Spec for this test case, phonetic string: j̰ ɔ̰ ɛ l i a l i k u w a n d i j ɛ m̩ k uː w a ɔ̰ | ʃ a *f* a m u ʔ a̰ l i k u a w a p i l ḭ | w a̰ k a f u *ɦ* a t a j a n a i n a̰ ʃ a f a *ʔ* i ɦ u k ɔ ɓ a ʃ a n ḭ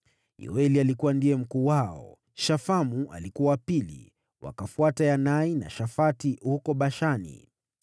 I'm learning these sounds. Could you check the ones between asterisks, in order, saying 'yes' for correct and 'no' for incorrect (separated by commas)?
yes, no, no